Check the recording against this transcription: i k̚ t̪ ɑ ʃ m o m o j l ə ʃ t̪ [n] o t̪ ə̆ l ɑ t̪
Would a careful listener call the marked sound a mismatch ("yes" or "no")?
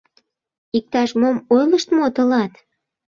yes